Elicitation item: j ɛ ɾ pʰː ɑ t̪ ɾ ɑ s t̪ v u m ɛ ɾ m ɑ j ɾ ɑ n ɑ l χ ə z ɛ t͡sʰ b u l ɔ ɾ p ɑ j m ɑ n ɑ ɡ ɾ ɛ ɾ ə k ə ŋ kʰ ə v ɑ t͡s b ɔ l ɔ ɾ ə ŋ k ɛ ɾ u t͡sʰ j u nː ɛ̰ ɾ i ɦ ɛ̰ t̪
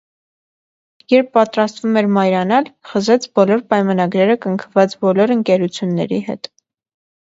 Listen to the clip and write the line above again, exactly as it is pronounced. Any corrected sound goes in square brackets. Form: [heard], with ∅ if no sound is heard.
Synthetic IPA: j ɛ ɾ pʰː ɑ t̪ ɾ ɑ s t̪ v u m ɛ ɾ m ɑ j ɾ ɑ n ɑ l χ ə z ɛ t͡sʰ b [ɔ] l ɔ ɾ p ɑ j m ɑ n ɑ ɡ ɾ ɛ ɾ ə k ə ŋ kʰ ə v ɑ t͡s b ɔ l ɔ ɾ ə ŋ k ɛ ɾ u t͡sʰ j u nː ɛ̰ ɾ i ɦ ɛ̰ t̪